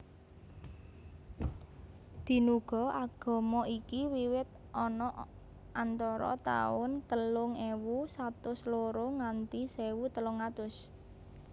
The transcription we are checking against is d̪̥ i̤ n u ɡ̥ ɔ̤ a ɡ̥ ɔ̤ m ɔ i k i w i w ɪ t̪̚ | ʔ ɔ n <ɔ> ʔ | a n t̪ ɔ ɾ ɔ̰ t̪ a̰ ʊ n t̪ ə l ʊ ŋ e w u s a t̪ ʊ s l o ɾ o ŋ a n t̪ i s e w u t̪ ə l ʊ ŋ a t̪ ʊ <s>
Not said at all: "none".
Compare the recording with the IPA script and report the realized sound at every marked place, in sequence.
ɔ, s

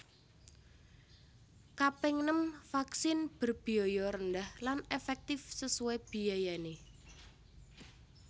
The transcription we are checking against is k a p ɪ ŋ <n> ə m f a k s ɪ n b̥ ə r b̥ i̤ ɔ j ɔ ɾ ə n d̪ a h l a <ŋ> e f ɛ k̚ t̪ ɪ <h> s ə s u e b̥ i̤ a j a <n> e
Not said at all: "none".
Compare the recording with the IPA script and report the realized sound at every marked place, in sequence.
n, n, f, n

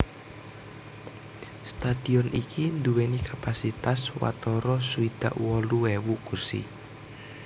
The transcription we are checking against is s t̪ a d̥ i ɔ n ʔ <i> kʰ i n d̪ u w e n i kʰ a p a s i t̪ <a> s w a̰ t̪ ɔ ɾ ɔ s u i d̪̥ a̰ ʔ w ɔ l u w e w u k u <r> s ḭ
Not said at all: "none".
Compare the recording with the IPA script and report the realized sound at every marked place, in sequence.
i, a, r

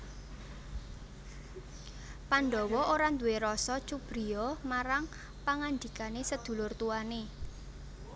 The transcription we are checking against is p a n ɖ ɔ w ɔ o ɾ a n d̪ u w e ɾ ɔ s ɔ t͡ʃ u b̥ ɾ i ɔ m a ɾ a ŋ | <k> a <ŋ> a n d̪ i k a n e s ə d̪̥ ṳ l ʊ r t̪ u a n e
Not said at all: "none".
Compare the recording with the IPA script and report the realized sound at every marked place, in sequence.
p, ŋ

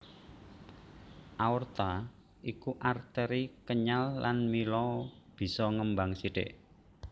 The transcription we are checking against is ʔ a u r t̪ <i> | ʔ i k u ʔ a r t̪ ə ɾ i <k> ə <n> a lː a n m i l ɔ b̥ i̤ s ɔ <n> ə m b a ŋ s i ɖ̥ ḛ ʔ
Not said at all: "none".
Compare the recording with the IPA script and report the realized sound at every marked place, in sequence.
a, k, ɲ, ŋ

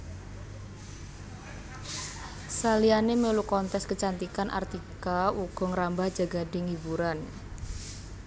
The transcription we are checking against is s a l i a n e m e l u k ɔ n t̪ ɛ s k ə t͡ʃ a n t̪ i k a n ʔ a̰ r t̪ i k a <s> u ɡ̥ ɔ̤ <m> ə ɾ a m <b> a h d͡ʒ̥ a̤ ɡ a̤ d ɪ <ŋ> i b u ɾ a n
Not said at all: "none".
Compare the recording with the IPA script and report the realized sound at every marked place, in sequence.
none, ŋ, b, ŋ

